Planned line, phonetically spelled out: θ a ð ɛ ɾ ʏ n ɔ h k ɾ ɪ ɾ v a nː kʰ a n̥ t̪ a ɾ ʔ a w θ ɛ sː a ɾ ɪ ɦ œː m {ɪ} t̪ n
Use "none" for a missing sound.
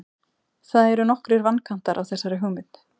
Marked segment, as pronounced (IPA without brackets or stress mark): ɪ